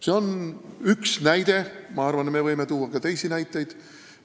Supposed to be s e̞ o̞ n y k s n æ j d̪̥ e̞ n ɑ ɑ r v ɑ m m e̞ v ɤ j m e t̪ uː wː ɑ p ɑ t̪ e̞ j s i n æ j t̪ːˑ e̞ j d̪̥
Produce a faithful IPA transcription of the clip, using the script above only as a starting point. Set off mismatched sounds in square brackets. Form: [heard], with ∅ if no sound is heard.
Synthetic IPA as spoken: s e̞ o̞ n y k s n æ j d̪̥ e̞ [m] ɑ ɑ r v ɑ [n] m e̞ v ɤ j m e t̪ uː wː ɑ [k] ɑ t̪ e̞ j s i n æ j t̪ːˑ e̞ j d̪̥